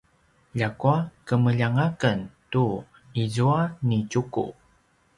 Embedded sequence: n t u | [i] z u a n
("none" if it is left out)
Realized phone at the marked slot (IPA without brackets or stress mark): i